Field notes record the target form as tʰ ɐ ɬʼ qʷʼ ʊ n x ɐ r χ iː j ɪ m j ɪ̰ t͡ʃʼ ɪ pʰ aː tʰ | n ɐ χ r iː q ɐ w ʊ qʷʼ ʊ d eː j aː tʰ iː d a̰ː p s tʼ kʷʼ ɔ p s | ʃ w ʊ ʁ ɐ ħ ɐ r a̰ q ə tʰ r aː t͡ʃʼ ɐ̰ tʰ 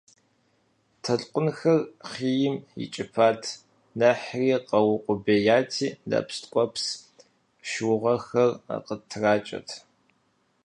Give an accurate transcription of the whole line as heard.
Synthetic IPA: tʰ ɐ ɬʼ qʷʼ ʊ n x ɐ r χ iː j ɪ m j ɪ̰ t͡ʃʼ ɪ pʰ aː tʰ | n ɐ ħ r iː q ɐ w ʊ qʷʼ ʊ b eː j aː tʰ iː d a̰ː p s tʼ kʷʼ ɔ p s | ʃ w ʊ ʁ ɐ x ɐ r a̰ q ə tʰ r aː t͡ʃʼ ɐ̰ tʰ